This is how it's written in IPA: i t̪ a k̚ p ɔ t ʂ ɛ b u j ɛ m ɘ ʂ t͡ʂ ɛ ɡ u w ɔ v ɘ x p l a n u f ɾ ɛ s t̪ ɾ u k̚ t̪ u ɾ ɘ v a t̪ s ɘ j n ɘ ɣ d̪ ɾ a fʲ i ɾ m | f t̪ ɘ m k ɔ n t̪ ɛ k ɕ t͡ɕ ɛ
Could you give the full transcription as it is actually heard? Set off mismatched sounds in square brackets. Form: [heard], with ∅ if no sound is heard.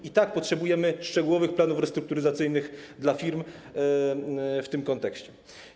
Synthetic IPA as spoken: i t̪ a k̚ p ɔ t ʂ ɛ b u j ɛ m ɘ ʂ t͡ʂ ɛ ɡ u w ɔ v ɘ x p l a n u f ɾ ɛ s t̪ ɾ u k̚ t̪ u ɾ ɘ [z] a t̪ s ɘ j n ɘ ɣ d̪ [l] a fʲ i ɾ m | f t̪ ɘ m k ɔ n t̪ ɛ k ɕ t͡ɕ ɛ